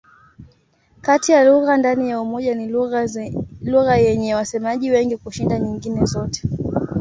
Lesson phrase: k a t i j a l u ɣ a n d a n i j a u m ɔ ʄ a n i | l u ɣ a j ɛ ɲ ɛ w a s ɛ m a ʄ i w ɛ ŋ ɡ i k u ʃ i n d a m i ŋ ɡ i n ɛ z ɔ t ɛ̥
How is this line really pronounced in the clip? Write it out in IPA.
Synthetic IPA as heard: k a t i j a l u ɣ a n d a n i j a u m ɔ ʄ a n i | l u ɣ a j ɛ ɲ ɛ w a s ɛ m a ʄ i w ɛ ŋ ɡ i k u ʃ i n d a ɲ i ŋ ɡ i n ɛ z ɔ t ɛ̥